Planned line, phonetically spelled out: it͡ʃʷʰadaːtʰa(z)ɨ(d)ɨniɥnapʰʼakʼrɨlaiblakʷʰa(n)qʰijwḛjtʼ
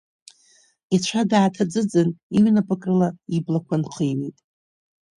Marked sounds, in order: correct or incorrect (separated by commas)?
incorrect, incorrect, correct